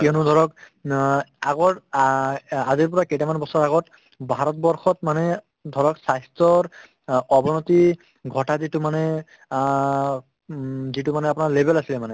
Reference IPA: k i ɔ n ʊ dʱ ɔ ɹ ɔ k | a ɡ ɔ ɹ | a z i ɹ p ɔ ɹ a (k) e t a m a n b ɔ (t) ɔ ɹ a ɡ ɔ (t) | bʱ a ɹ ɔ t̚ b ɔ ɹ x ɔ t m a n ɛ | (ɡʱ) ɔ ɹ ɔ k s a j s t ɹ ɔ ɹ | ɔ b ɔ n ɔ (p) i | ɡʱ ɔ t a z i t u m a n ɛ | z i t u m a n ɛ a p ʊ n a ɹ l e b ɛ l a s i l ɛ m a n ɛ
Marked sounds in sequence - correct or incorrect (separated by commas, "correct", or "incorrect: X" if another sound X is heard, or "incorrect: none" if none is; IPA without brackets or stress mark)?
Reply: correct, incorrect: s, correct, incorrect: dʱ, incorrect: t